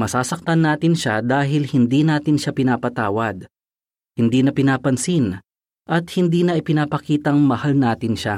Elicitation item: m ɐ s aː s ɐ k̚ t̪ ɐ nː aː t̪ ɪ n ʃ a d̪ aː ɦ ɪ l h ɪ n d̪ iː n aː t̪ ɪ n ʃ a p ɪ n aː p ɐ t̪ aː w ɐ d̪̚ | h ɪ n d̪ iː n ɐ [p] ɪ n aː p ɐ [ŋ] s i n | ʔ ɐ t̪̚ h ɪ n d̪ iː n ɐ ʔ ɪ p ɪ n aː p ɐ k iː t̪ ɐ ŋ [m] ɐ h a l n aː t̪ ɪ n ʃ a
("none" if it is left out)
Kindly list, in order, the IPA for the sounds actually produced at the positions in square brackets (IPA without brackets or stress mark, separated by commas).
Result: p, n, m